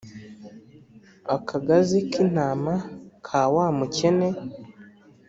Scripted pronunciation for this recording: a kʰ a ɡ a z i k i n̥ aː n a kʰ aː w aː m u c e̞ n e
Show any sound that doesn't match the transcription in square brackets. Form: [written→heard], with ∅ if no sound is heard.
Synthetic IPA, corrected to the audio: a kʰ a ɡ a z i k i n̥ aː [n→m] a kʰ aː w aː m u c e̞ n e